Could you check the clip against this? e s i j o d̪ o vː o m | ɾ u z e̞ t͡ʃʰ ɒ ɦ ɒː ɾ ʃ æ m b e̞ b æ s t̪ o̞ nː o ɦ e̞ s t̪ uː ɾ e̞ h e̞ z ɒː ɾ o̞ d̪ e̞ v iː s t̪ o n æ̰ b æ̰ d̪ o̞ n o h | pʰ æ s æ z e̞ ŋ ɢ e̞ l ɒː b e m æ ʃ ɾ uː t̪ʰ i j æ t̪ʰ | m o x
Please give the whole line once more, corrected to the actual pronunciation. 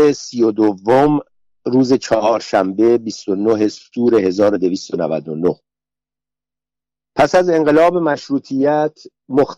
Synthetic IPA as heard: e s i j o d̪ o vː o m | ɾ uː z e̞ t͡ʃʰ ɒ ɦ ɒː ɾ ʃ æ m b e̞ b i s t̪ o̞ n o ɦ e̞ s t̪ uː ɾ e̞ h e̞ z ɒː ɾ o̞ d̪ e̞ v iː s t̪ o n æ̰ v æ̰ d̪ o̞ n o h | pʰ æ s æ z e̞ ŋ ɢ e̞ l ɒː b e m æ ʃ ɾ uː t̪ʰ i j æ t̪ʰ | m o x